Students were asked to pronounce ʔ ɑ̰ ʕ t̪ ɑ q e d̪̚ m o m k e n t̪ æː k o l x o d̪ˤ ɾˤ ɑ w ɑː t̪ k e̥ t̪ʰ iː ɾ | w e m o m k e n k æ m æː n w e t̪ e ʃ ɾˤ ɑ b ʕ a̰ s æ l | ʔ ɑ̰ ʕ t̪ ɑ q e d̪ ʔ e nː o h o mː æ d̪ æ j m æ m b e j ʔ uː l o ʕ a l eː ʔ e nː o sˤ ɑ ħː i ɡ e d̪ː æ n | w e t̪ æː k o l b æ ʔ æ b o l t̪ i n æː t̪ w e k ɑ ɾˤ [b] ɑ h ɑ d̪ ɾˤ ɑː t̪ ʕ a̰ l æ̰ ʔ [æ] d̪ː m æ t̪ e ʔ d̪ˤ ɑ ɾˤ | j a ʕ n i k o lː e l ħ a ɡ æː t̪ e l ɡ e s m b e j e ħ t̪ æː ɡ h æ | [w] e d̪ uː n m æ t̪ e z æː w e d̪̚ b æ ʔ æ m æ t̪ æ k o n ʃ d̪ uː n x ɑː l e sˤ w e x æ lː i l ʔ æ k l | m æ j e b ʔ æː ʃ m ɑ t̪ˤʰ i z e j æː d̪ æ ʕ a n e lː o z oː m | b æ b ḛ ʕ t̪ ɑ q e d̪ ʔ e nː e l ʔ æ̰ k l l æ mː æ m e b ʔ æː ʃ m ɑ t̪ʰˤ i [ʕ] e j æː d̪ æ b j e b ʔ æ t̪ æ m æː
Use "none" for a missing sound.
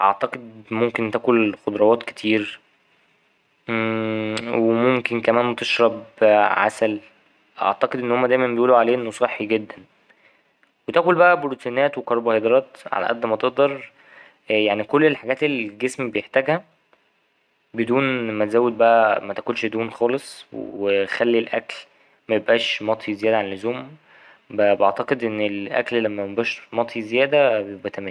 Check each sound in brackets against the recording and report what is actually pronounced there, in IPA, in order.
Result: b, æ, b, z

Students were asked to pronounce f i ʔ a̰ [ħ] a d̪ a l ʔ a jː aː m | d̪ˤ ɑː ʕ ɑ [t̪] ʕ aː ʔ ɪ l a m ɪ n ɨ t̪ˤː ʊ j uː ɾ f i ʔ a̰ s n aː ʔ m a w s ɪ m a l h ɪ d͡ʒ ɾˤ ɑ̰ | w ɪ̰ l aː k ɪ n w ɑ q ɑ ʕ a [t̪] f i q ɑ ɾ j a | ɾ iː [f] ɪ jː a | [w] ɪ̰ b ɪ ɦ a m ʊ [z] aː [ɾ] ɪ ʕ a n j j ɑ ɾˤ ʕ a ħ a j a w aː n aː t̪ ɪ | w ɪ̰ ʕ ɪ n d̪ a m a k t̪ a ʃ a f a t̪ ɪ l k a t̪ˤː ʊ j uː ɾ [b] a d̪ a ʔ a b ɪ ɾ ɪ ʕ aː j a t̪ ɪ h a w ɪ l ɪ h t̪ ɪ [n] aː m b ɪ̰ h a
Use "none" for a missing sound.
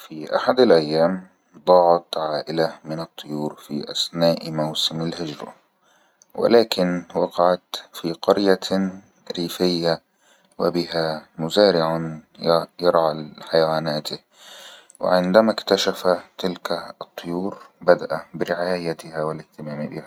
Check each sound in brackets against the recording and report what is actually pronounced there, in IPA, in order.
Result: ħ, t̪, t̪, f, w, z, ɾ, b, m

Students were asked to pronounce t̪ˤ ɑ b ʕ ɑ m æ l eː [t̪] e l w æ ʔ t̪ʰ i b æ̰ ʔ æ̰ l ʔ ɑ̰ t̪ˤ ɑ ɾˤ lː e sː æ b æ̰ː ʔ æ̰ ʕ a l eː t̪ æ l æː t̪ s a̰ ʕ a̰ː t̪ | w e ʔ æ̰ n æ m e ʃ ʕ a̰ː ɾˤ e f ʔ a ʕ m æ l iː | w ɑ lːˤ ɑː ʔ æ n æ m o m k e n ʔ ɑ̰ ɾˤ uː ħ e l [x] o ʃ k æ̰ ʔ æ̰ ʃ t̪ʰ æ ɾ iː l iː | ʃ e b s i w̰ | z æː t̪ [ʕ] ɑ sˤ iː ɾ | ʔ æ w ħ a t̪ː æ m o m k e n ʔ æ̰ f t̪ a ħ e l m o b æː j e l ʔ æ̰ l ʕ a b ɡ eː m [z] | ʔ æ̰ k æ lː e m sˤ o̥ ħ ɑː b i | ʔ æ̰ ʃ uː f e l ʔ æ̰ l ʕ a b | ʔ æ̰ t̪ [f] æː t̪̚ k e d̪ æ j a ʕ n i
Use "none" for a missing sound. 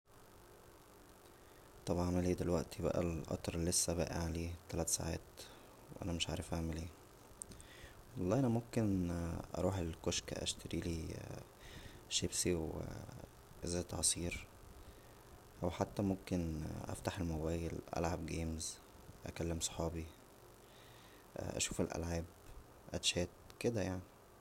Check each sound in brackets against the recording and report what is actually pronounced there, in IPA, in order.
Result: d̪, k, ʕ, z, ʃ

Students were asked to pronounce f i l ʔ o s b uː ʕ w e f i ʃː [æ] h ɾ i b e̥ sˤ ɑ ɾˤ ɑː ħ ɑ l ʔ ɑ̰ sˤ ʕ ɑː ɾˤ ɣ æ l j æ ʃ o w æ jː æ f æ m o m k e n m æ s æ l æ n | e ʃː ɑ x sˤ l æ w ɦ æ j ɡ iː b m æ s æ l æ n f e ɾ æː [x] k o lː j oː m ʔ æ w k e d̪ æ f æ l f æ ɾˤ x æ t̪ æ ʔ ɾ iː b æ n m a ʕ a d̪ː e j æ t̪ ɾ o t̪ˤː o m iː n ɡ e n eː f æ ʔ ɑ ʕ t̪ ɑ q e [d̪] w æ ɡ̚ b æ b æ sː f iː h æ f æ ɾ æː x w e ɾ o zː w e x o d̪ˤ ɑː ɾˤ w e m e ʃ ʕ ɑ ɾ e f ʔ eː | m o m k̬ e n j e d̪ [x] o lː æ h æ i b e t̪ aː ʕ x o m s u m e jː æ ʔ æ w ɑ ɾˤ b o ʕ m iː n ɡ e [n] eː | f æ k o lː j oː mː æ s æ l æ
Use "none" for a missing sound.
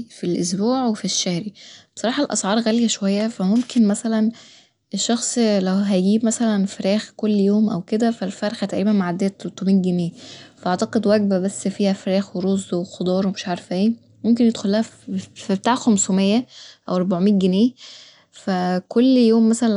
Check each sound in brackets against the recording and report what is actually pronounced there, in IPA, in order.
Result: æ, x, d̪, x, n

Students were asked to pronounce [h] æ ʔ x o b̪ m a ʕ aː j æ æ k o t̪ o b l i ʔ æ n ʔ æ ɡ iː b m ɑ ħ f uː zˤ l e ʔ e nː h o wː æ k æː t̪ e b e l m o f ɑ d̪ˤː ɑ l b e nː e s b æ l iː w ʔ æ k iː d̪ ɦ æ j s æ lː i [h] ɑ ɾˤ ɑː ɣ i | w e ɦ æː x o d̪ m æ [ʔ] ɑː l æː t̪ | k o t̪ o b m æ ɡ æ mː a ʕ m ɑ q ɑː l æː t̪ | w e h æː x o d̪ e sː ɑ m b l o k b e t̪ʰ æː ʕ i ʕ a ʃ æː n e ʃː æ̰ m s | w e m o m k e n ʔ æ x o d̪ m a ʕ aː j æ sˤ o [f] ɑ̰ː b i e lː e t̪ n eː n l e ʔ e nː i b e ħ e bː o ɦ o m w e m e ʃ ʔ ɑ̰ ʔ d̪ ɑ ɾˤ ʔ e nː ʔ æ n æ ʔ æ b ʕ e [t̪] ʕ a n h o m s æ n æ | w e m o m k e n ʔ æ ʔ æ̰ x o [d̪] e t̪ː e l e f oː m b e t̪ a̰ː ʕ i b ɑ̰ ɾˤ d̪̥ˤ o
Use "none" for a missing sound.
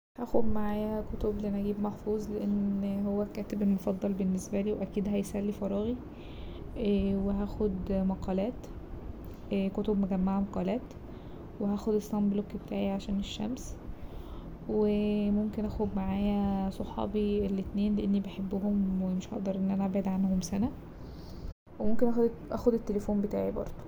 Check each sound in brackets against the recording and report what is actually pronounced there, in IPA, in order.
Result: h, f, q, ħ, d̪, d̪

